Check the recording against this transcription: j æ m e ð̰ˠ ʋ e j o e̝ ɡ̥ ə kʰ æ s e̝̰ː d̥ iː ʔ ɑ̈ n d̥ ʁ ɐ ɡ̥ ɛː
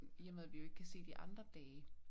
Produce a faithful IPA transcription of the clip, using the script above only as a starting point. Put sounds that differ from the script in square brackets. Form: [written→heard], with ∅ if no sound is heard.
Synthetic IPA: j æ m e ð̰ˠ ʋ [e→i] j o e̝ ɡ̥ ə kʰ æ s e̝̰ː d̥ [iː→i] ʔ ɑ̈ n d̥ ʁ ɐ [ɡ̥→d̥] ɛː